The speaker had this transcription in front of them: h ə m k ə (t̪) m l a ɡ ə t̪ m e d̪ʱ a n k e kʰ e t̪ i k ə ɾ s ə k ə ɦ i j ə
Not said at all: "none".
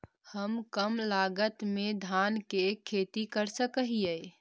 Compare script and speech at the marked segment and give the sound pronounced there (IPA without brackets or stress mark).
none